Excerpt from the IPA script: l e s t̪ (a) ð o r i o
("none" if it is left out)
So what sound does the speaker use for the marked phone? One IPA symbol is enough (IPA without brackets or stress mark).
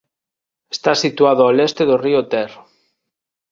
e